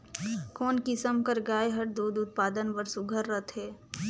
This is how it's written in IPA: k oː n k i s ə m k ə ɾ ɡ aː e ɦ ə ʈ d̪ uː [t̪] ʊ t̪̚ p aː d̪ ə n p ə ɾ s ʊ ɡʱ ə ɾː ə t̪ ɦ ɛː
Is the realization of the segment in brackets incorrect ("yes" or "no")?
yes